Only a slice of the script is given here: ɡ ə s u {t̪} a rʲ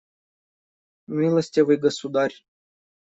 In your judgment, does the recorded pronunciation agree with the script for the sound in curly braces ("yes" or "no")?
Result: no